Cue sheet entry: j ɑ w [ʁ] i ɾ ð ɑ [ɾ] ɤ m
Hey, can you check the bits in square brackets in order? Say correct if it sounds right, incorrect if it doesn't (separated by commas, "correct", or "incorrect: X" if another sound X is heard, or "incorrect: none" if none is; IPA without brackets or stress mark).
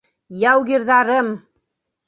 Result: incorrect: ɣ, correct